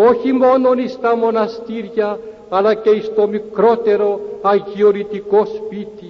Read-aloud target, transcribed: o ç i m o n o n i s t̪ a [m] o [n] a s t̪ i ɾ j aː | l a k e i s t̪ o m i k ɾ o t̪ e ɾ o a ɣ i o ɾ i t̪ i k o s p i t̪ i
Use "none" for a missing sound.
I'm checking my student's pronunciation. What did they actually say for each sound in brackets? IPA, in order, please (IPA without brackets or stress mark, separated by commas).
m, n